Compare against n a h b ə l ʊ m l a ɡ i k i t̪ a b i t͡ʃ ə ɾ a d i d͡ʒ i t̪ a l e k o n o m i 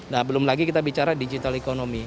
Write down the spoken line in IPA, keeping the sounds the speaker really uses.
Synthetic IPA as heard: n a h b ə l ʊ m l a ɡ i k i t̪ a b i t͡ʃ a ɾ a d i d͡ʒ i t̪ a l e k o n o m i

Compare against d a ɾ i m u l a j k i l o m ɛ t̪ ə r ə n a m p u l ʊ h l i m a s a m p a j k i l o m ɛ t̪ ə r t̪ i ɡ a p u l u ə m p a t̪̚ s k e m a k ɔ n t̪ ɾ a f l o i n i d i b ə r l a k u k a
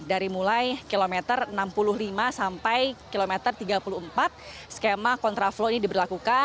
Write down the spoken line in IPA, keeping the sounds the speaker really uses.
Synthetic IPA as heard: d a ɾ i m u l a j k i l o m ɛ t̪ ə r ə n a m p u l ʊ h l i m a s a m p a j k i l o m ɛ t̪ ə r t̪ i ɡ a p u l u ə m p a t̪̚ s k e m a k ɔ n t̪ ɾ a f l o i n i d i b ə r l a k u k a

